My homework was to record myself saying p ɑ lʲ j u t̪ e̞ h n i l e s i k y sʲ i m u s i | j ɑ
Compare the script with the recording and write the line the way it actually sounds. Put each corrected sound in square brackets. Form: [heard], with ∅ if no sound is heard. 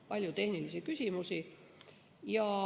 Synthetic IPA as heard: p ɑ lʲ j u t̪ e̞ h n i l [i] s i k y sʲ i m u s i | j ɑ